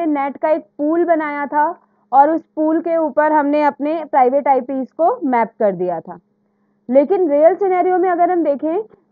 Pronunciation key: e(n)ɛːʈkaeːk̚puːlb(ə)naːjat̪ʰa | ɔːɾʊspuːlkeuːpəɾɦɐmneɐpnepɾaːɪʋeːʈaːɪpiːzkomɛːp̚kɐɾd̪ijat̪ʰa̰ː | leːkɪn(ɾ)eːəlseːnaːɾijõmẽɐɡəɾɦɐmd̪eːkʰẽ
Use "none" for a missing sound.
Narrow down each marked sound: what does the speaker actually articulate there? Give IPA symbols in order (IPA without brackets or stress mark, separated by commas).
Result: n, ɐ, ɾ